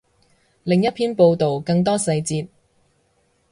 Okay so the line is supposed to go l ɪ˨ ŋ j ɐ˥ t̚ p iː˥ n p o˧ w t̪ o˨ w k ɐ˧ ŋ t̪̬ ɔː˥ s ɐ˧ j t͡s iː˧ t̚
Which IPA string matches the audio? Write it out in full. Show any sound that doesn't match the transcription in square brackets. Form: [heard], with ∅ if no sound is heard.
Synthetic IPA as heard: l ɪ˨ ŋ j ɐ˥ t̚ [pʰ] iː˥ n p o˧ w t̪ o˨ w k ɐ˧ ŋ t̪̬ ɔː˥ s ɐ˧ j t͡s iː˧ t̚